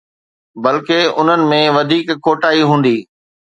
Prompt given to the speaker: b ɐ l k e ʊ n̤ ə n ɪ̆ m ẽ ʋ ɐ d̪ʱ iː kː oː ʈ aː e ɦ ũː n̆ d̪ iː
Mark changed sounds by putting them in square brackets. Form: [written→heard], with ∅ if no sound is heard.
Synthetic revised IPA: b ɐ l k e ʊ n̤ ə n ɪ̆ m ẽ ʋ ɐ d̪ʱ iː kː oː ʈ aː [e→i] ɦ ũː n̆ d̪ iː